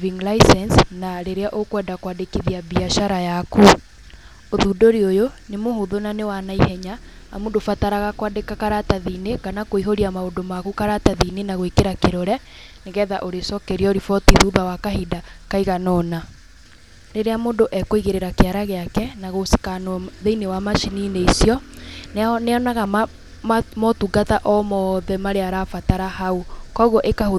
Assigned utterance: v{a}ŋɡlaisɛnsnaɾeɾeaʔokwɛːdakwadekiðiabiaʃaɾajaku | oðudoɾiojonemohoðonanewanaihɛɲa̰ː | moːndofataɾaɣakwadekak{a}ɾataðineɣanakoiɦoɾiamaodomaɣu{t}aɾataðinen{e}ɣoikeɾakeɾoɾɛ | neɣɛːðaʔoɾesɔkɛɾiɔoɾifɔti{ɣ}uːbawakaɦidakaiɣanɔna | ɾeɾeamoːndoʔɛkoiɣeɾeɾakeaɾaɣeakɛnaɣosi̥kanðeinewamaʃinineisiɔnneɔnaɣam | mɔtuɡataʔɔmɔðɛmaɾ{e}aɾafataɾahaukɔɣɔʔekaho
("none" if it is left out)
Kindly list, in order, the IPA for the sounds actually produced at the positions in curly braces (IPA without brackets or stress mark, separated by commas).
i, a, k, a, ð, e